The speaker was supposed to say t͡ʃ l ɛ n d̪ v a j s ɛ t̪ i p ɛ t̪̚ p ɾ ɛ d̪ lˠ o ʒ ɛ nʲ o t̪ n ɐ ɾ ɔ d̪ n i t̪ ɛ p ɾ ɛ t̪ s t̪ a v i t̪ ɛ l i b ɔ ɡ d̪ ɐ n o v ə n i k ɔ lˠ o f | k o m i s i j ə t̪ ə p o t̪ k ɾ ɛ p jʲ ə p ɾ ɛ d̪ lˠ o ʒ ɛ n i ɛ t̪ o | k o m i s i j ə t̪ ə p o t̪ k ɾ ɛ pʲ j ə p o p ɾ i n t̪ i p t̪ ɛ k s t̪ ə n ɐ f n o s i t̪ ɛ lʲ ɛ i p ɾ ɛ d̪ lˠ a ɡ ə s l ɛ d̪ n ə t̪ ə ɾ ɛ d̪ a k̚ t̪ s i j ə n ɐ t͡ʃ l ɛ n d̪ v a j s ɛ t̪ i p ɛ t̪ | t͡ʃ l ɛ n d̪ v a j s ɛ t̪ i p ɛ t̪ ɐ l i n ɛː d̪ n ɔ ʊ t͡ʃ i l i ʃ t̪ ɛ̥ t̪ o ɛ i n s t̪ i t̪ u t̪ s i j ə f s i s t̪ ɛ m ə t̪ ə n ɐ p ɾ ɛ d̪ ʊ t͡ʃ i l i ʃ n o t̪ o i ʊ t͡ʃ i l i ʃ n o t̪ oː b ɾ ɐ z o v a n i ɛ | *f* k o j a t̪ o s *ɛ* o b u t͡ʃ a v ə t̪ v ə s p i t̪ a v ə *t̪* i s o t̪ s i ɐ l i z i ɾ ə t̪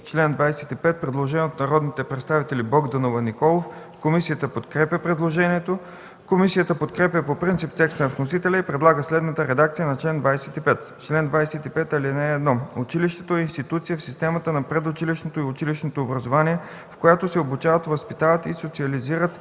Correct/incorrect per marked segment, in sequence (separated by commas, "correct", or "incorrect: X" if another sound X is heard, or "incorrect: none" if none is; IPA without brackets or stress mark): correct, correct, correct